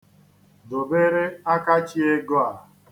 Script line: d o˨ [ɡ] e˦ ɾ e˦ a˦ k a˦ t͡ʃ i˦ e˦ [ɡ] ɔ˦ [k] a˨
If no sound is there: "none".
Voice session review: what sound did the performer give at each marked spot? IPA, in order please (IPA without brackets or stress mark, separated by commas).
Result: b, ɡ, none